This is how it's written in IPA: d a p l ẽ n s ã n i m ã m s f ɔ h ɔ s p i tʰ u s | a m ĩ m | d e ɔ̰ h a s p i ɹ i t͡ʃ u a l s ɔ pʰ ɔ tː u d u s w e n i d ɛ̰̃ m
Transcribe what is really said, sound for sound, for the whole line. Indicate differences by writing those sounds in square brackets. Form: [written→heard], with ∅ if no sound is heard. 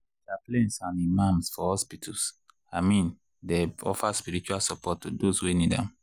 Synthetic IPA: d a p l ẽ n s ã n i m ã m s f ɔ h ɔ s p i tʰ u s | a m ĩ [m→n] | d e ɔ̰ [h→f] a s p i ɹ i t͡ʃ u a l s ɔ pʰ ɔ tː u d [u→o] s w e n i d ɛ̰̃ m